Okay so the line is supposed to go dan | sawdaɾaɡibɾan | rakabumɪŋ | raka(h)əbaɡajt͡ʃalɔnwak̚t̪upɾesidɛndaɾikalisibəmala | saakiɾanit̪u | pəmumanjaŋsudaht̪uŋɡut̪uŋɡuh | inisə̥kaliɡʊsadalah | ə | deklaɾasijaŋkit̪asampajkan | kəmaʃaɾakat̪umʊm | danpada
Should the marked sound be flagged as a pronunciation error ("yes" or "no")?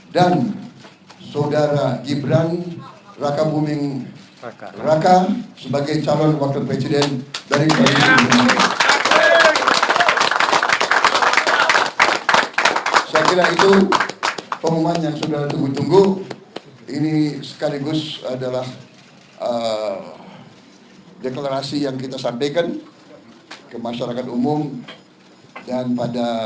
yes